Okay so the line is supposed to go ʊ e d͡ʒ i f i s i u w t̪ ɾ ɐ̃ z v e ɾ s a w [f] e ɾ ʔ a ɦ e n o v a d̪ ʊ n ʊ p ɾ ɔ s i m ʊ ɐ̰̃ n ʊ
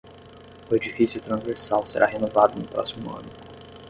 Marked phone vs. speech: incorrect: s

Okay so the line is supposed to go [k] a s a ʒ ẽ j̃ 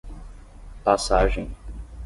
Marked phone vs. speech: incorrect: p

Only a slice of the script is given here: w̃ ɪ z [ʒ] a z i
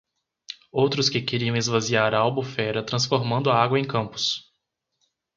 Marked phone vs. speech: incorrect: v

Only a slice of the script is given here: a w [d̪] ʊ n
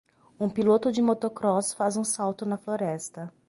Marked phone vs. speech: incorrect: t̪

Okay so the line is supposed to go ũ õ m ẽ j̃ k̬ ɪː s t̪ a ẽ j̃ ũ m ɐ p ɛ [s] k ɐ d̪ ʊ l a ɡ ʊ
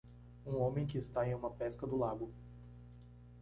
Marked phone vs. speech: correct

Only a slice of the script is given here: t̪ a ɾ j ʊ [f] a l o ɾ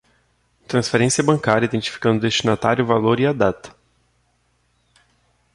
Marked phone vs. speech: incorrect: v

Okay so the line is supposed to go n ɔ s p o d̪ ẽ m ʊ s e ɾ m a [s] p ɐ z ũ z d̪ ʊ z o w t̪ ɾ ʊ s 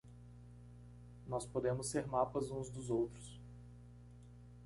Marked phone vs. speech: incorrect: none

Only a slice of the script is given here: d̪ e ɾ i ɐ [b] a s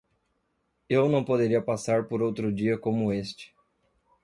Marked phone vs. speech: incorrect: p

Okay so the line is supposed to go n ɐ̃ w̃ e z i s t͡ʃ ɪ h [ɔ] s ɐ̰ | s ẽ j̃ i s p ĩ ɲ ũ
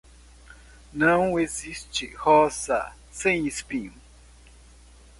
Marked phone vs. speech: correct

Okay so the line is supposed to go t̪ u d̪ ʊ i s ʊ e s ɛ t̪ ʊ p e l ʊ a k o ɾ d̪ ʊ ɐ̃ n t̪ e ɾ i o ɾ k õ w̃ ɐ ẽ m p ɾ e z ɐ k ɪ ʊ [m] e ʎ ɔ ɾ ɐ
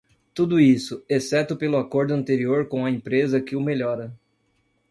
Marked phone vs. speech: correct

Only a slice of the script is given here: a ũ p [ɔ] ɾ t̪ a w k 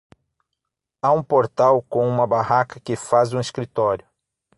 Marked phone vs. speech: incorrect: o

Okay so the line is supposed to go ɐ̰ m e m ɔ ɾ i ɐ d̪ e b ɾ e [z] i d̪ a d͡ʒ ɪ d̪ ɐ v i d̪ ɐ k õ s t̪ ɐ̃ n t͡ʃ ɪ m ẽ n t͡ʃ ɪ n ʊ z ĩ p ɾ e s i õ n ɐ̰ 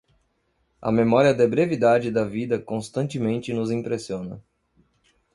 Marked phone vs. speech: incorrect: v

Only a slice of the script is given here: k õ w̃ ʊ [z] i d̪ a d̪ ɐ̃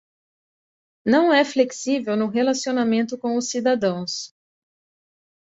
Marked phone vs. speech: incorrect: s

